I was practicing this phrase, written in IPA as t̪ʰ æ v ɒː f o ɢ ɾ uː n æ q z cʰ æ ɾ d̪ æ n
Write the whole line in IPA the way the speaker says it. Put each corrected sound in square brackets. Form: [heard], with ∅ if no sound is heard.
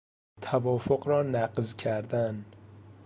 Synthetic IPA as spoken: t̪ʰ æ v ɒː f o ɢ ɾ [ɒː] n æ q z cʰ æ ɾ d̪ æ n